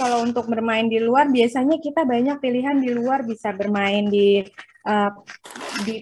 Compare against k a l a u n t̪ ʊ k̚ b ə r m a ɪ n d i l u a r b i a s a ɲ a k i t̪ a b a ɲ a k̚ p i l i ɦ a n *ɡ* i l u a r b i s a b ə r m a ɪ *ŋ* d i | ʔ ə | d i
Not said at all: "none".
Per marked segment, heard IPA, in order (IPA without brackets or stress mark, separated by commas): d, n